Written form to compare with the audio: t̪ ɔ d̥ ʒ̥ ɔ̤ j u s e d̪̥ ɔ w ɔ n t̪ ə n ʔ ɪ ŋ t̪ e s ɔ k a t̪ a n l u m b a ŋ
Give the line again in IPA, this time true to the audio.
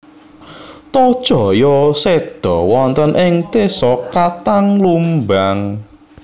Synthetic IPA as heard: t̪ ɔ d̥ ʒ̥ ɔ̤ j ɔ s e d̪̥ ɔ w ɔ n t̪ ə n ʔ ɪ ŋ t̪ e s ɔ k a t̪ a ŋ l u m b a ŋ

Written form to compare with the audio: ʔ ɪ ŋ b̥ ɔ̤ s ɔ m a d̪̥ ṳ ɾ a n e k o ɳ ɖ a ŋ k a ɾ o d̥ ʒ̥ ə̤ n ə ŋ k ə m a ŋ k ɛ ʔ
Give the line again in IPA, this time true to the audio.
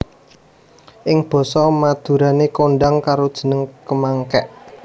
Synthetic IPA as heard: ʔ ɪ ŋ b̥ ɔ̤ s ɔ m a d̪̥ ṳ ɾ a n e k o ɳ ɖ a ŋ k a ɾ o d̥ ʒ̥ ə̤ n ə ŋ k ə m a ŋ k ɛ ʔ

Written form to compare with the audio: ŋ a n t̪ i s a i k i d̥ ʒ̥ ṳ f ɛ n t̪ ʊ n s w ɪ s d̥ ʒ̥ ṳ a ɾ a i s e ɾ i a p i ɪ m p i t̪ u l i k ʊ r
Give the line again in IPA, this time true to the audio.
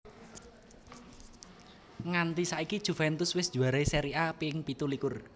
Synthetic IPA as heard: ŋ a n t̪ i s a i k i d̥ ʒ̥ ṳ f ɛ n t̪ ʊ s w ɪ s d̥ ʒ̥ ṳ a ɾ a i s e ɾ i a p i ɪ ŋ p i t̪ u l i k ʊ r

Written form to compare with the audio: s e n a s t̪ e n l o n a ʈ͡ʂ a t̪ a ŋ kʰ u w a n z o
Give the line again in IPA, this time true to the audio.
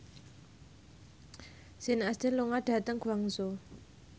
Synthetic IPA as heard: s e n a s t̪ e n l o ŋ a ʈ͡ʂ a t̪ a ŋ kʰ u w a ŋ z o

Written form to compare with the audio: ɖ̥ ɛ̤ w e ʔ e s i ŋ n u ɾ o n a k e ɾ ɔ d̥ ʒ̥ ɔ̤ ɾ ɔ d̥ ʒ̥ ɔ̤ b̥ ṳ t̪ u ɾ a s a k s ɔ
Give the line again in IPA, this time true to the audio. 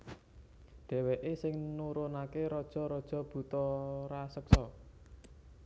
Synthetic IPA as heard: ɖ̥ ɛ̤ w e ʔ e s ɪ ŋ n u ɾ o n a k e ɾ ɔ d̥ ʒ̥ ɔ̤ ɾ ɔ d̥ ʒ̥ ɔ̤ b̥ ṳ t̪ ɔ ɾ a s ə k s ɔ

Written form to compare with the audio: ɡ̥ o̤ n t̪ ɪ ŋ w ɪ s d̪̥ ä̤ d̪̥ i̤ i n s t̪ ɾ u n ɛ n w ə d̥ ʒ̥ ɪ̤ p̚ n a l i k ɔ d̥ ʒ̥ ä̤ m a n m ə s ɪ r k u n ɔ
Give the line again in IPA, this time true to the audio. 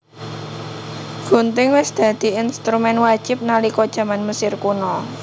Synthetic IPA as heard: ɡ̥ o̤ n t̪ ɪ ŋ w ɪ s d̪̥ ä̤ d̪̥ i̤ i n s t̪ ɾ u m ɛ n w a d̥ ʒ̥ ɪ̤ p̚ n a l i k ɔ d̥ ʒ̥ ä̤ m a n m ə s ɪ r k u n ɔ

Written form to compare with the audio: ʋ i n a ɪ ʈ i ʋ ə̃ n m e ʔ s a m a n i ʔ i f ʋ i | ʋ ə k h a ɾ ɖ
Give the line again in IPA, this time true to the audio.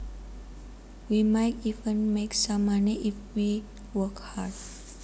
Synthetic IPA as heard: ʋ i m a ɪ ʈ i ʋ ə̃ n m e k s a m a n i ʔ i f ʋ i | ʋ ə k h a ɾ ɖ

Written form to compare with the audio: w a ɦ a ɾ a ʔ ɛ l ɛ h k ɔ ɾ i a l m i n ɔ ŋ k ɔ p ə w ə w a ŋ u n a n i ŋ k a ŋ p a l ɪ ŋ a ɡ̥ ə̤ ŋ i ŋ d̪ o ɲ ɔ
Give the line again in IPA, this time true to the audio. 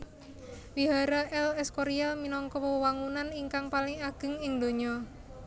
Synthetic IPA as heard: w i ɦ a ɾ a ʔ ɛ l ɛ s k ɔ ɾ i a l m i n ɔ ŋ k ɔ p ə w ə w a ŋ u n a n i ŋ k a ŋ p a l ɪ ŋ a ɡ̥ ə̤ ŋ ɪ ŋ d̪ o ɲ ɔ

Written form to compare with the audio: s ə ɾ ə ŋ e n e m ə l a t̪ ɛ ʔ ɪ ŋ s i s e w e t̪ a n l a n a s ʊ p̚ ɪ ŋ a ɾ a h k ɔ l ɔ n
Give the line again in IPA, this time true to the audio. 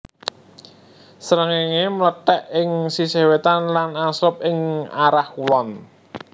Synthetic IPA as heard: s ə ɾ ə ŋ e ŋ e m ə l ə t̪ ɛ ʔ ɪ ŋ s i s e w e t̪ a n l a n a s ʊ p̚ ɪ ŋ a ɾ a h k u l ɔ n

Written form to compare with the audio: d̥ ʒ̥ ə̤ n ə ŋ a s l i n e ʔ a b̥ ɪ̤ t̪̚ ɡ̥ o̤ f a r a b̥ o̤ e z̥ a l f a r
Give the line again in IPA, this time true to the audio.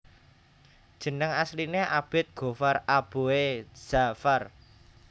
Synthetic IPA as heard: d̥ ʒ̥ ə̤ n ə ŋ a s l i n e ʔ a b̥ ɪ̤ t̪̚ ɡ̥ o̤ f a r a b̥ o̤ e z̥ a f a r

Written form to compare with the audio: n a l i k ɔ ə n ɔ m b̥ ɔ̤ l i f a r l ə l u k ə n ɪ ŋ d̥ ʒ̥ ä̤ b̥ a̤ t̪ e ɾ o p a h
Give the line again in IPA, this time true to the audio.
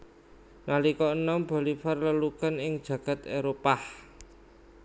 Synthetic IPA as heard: n a l i k ɔ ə n ɔ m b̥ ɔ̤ l i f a r l ə l u k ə n ɪ ŋ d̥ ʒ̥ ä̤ ɡ̥ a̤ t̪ e ɾ o p a h

